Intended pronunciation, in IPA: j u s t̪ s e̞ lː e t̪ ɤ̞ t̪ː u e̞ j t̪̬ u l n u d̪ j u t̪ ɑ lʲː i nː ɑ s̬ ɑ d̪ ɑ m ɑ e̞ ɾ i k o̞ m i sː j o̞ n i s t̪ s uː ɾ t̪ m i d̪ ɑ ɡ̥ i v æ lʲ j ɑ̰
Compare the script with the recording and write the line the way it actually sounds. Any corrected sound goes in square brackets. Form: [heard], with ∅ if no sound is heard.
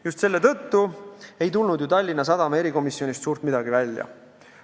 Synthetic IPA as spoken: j u s t̪ s e̞ lː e t̪ ɤ̞ t̪ː u e̞ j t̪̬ u l n u d̪ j u t̪ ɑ lʲː i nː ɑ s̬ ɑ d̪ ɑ m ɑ e̞ ɾ i k o̞ m i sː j o̞ n i s t̪ s uː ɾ t̪ m i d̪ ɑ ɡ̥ i v æ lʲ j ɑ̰

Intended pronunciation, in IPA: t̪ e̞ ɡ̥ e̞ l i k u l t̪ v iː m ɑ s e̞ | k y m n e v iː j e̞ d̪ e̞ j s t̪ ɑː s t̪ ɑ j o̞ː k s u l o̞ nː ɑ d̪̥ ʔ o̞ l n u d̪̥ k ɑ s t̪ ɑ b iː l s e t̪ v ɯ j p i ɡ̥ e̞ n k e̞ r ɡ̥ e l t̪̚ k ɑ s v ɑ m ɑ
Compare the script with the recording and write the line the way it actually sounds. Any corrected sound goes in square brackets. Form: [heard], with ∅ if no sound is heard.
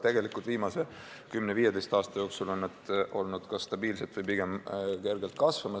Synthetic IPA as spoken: t̪ e̞ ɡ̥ e̞ l i k u l t̪ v iː m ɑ s e̞ | k y m n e v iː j e̞ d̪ e̞ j s t̪ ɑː s t̪ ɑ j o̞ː k s u l o̞ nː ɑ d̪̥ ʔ o̞ l n u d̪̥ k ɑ s t̪ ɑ b iː l s e t̪ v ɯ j p i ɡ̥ e̞ [m] k e̞ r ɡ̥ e l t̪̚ k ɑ s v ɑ m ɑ

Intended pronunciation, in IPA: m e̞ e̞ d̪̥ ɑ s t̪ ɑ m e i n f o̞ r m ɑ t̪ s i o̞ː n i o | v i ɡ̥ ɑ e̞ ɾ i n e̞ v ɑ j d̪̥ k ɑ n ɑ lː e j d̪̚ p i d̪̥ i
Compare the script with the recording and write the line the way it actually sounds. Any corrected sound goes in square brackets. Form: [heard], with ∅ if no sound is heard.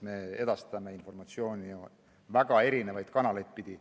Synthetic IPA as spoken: m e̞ e̞ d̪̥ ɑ s t̪ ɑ m e i n f o̞ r m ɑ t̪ s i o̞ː n i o | v [æ] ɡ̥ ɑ e̞ ɾ i n e̞ v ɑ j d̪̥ k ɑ n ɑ [l] e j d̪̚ p i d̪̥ i

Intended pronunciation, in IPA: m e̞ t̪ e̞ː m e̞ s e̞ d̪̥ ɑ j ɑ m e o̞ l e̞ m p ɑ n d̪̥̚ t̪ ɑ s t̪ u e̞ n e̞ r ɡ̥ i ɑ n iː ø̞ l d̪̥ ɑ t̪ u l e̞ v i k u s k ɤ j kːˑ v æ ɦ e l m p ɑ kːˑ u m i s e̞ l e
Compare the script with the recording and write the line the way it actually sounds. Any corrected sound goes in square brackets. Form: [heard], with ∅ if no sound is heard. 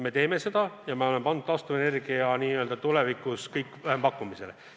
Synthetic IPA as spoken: m e̞ t̪ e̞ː m e̞ s e̞ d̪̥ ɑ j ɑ m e o̞ l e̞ m p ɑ n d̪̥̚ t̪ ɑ s t̪ u e̞ n e̞ r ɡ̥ i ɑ n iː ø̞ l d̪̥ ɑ t̪ u l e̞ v i k u s k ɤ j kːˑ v æ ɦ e [∅] m p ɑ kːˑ u m i s e̞ l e

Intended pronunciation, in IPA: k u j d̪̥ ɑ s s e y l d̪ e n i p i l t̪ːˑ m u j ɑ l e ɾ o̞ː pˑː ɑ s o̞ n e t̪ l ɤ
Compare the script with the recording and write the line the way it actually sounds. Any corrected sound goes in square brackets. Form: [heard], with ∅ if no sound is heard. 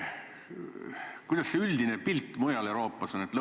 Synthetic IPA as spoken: k u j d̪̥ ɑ s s e y l d̪ [i] n [e] p i l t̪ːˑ m u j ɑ l e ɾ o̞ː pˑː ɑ s o̞ n e t̪ l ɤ

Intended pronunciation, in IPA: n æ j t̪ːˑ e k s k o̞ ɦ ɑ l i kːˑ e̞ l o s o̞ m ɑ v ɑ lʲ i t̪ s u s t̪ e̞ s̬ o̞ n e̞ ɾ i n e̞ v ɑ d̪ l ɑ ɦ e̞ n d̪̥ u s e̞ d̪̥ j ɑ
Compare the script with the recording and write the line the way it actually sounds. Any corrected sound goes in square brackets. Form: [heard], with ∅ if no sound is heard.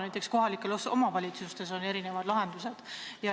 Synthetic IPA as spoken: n æ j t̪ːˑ e k s k o̞ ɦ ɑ l i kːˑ e̞ l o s o̞ m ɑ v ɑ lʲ i t̪ s u s t̪ e̞ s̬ o̞ n e̞ ɾ i n e̞ v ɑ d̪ l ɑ ɦ e̞ n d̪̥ u s e̞ d̪̥ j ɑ

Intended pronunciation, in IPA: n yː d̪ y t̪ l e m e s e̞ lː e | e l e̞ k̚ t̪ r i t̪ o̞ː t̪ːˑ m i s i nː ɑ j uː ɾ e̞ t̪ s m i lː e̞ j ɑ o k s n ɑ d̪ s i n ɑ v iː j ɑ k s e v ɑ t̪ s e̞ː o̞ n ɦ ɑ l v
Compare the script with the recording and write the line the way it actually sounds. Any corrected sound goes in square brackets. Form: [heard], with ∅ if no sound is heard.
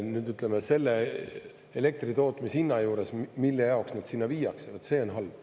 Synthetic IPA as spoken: n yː d̪ y t̪ l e m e s e̞ lː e | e l e̞ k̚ t̪ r i t̪ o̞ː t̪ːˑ m i s i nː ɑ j uː ɾ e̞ [∅] s m i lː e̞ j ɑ o k s n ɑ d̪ s i [nː] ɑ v iː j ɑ k s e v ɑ t̪ s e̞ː o̞ n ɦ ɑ l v

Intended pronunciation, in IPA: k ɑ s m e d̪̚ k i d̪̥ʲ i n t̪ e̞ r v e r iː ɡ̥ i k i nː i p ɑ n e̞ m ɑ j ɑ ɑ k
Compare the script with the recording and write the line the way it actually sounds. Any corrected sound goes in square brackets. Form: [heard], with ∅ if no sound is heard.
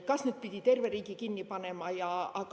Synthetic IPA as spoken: k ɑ s [n] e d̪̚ [p] i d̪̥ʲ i [∅] t̪ e̞ r v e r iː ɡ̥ i k i nː i p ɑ n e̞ m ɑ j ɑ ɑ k

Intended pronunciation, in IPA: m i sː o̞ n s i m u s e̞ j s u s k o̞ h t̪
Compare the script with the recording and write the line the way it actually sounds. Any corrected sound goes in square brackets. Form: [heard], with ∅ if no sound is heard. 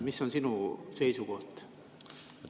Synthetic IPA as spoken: m i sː o̞ n s i [n] u s e̞ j s u [∅] k o̞ h t̪

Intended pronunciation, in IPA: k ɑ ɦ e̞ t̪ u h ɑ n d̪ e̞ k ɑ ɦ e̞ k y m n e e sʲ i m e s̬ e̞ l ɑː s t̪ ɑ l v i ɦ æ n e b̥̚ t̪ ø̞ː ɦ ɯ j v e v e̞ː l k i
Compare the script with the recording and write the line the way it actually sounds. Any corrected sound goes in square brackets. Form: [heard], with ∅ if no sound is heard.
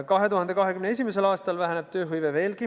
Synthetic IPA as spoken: k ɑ ɦ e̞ t̪ u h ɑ n d̪ e̞ k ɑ ɦ e̞ k y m n e e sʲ i m e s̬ e̞ l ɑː s t̪ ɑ l v [æ] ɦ æ n e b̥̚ t̪ ø̞ː ɦ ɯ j v e v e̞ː l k i

